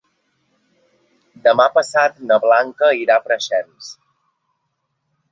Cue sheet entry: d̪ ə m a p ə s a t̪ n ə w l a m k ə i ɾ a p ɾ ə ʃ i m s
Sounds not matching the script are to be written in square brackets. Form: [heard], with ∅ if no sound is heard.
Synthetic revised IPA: d̪ ə m a p ə s a t̪ n ə [β] l a [ŋ] k ə i ɾ a p ɾ ə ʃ [ɛ] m s